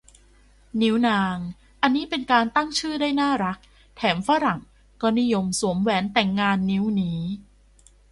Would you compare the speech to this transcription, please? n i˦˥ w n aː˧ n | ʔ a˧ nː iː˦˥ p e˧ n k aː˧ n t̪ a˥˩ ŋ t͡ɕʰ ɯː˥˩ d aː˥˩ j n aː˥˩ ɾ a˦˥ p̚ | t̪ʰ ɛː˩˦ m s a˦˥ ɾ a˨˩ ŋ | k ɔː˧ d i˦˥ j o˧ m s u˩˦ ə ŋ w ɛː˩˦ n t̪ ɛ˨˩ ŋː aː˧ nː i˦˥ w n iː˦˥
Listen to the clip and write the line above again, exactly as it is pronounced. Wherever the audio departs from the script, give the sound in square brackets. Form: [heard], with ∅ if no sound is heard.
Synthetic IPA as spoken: n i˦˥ w n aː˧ [ŋ] | ʔ a˧ nː iː˦˥ p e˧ n k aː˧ n t̪ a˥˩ ŋ t͡ɕʰ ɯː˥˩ d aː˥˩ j n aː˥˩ ɾ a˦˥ [k̚] | t̪ʰ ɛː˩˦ m [f] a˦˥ ɾ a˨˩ ŋ | k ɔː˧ [n] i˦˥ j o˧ m s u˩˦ ə [m] w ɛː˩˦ n t̪ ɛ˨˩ ŋː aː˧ nː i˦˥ w n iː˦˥